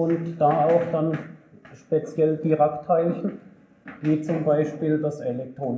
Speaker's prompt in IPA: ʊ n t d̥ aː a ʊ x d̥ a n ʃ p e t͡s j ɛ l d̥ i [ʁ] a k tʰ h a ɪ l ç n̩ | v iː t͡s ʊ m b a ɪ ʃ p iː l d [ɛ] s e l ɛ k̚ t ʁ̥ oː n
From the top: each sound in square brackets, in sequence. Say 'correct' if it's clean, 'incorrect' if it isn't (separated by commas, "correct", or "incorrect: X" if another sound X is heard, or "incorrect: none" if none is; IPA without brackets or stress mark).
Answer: correct, incorrect: a